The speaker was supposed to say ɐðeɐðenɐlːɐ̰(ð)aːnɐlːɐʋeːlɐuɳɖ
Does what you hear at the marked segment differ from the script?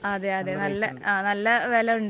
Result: yes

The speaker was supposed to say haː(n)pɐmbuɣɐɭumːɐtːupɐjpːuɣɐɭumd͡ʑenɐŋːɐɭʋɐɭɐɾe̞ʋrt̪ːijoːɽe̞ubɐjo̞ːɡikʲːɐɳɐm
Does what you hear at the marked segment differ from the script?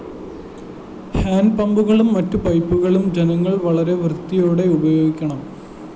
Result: no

